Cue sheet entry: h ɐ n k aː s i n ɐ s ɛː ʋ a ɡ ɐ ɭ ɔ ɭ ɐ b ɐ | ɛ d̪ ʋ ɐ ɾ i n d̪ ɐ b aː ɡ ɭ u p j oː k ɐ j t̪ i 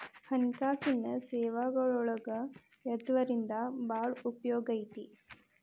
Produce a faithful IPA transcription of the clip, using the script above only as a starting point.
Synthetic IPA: h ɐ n k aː s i n ɐ s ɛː ʋ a ɡ ɐ ɭ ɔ ɭ ɐ ɡ ɐ | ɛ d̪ ʋ ɐ ɾ i n d̪ ɐ b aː ɭ u p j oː ɡ ɐ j t̪ i